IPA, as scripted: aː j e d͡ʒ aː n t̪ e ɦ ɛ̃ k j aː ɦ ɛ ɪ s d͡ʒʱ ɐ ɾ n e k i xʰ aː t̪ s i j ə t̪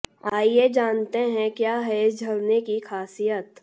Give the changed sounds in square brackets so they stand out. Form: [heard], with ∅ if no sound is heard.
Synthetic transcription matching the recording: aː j e d͡ʒ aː n t̪ e ɦ ɛ̃ k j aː ɦ ɛ ɪ s d͡ʒʱ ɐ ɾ n e k i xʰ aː [∅] s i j ə t̪